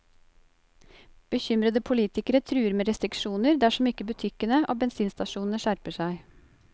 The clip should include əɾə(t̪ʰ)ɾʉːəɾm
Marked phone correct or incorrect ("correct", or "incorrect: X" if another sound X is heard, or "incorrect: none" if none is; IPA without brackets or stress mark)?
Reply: correct